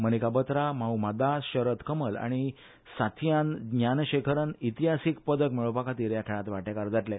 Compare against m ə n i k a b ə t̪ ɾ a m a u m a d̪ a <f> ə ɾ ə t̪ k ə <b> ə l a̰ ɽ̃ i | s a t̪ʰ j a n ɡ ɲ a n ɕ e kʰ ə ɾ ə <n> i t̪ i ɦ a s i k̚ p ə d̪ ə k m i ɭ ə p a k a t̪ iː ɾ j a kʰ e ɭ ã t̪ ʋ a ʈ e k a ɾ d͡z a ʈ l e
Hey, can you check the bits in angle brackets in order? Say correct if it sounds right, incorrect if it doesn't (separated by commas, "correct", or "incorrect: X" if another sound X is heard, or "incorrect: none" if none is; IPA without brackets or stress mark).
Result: incorrect: ɕ, incorrect: m, correct